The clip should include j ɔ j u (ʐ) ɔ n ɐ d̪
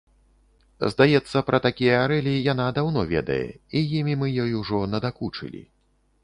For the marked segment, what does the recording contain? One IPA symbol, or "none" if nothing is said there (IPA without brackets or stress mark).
ʐ